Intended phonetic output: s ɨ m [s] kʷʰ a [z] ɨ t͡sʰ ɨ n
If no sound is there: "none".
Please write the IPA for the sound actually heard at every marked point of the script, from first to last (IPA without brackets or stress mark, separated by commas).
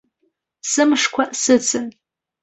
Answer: ʂ, s